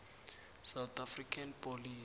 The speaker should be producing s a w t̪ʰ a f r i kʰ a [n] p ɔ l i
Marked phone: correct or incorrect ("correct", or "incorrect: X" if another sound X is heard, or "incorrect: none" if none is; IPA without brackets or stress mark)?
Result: correct